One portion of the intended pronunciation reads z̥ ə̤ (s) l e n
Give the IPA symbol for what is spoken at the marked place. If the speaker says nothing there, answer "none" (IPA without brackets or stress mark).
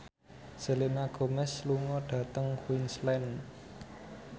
none